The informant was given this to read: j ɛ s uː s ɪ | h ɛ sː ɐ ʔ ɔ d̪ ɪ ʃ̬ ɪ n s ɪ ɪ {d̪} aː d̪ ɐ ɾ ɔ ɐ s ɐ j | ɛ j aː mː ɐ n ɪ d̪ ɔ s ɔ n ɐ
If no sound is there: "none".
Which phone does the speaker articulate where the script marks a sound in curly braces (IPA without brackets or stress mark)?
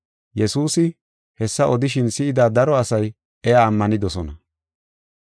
d̪